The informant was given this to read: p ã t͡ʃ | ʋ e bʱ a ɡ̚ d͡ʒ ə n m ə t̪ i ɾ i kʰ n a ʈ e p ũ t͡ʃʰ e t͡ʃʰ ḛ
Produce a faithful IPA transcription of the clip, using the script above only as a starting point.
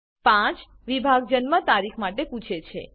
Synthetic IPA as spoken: p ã t͡ʃ | ʋ i bʱ a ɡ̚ d͡ʒ ə n m ə t̪ a ɾ i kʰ m a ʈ e p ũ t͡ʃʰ e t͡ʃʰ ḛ